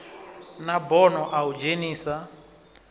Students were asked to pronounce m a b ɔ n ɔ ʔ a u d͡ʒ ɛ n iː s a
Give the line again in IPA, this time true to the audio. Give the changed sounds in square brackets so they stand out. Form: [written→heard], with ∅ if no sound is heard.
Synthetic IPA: [m→n] a b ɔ n ɔ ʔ a u d͡ʒ [ɛ→e] n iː s a